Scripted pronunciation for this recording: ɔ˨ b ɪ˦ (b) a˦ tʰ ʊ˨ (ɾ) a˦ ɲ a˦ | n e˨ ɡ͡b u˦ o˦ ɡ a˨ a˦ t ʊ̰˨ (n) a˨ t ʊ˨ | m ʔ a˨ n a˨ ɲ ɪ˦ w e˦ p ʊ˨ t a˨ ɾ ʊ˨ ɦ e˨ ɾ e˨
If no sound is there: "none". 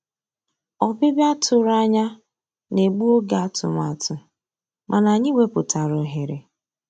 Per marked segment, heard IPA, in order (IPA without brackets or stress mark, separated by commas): b, ɾ, m